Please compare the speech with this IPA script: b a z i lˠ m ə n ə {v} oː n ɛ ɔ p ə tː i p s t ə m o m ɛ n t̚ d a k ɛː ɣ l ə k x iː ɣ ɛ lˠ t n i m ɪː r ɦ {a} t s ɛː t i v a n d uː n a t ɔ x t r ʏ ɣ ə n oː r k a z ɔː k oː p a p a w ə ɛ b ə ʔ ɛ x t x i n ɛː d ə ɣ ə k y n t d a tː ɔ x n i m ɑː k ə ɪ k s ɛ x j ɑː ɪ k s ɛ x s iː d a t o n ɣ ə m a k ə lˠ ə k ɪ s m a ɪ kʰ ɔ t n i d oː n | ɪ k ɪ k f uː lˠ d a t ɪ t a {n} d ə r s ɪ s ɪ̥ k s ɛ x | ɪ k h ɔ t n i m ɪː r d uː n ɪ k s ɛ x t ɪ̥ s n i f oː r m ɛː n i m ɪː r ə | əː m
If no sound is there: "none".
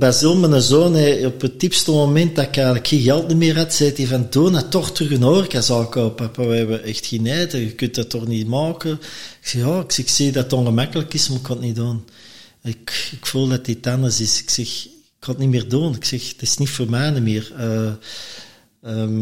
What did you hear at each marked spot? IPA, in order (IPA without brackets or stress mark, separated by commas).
z, a, n